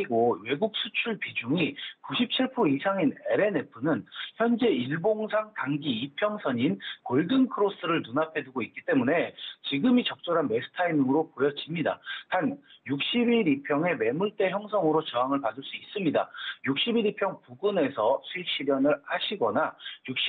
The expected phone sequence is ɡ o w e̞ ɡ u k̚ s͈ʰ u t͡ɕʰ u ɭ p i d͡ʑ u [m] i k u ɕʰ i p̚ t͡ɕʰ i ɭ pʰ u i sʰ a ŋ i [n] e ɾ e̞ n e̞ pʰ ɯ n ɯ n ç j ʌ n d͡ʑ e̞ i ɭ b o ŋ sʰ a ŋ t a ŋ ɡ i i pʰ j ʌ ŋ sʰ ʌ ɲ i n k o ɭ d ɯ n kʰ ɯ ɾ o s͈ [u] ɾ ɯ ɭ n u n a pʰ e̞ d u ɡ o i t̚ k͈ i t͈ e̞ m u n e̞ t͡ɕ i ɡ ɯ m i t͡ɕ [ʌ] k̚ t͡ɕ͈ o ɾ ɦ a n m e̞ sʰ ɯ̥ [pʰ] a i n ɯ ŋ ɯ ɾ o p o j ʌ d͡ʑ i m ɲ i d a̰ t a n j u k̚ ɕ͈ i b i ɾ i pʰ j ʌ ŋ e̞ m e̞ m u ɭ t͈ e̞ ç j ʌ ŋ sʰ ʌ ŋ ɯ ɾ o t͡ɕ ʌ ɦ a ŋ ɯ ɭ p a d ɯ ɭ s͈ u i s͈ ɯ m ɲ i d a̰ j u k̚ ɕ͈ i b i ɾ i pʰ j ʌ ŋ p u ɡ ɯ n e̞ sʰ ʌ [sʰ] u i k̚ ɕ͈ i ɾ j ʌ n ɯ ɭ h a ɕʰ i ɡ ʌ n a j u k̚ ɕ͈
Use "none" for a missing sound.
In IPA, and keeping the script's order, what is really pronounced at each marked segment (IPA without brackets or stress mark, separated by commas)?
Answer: ŋ, n, ɯ, ʌ, tʰ, sʰ